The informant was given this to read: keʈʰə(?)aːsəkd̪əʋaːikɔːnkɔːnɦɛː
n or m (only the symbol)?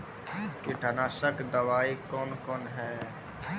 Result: n